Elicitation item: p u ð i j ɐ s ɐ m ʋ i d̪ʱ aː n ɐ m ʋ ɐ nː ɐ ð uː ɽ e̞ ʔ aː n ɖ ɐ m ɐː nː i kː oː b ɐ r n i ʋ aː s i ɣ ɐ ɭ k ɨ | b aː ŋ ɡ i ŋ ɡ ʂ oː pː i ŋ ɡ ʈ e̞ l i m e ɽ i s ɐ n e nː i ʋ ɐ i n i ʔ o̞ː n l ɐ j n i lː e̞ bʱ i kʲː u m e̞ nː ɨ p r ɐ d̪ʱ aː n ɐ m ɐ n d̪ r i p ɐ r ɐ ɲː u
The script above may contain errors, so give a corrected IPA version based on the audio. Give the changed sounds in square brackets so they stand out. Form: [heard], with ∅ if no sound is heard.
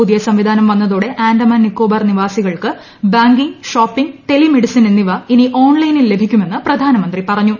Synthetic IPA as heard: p u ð i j ɐ s ɐ m ʋ i d̪ʱ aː n ɐ m ʋ ɐ nː ɐ ð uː ɽ e̞ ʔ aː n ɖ ɐ m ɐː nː i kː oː b ɐ r n i ʋ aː s i ɣ ɐ ɭ k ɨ | b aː ŋ ɡ i ŋ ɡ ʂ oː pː i ŋ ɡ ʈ e̞ l i m e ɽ i s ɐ n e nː i ʋ ɐ i n i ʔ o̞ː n l ɐ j n i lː e̞ bʱ i kʲː u m e̞ nː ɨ p r ɐ d̪ʱ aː n ɐ m ɐ n d̪ r i p ɐ r ɐ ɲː u